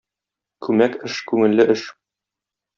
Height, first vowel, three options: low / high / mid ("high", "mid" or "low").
high